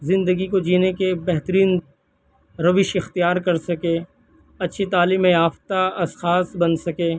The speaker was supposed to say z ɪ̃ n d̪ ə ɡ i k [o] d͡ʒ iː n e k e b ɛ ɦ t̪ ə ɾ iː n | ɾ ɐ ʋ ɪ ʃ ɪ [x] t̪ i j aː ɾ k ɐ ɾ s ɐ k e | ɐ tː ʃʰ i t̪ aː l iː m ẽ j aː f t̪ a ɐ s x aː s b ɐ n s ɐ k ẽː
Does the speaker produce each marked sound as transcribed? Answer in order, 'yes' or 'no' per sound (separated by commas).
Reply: yes, yes